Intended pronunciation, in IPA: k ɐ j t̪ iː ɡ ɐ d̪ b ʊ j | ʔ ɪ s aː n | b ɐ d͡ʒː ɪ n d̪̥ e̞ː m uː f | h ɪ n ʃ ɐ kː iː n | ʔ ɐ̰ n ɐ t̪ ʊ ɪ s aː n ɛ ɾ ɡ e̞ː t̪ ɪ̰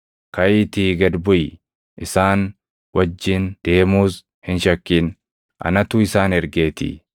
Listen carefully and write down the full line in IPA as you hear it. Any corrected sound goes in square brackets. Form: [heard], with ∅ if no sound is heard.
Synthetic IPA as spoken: k ɐ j t̪ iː ɡ ɐ d̪ b ʊ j | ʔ ɪ s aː n | [w] ɐ d͡ʒː ɪ n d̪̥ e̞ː m uː [s] | h ɪ n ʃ ɐ kː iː n | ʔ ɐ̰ n ɐ t̪ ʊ ɪ s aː n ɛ ɾ ɡ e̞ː t̪ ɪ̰

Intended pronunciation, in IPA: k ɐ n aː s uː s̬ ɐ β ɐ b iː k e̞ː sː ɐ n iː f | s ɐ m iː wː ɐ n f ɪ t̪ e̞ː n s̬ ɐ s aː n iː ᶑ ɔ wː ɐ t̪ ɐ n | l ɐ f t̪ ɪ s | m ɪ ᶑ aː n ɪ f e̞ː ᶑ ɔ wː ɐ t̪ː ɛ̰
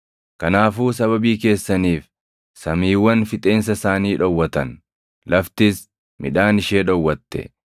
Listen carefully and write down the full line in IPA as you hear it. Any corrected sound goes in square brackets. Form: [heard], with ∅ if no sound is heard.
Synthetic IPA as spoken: k ɐ n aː [f] uː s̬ ɐ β ɐ b iː k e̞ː sː ɐ n iː f | s ɐ m iː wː ɐ n f ɪ [t̪ʼ] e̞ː n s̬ ɐ s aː n iː ᶑ ɔ wː ɐ t̪ ɐ n | l ɐ f t̪ ɪ s | m ɪ ᶑ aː n ɪ [ʃ] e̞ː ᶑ ɔ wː ɐ t̪ː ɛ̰

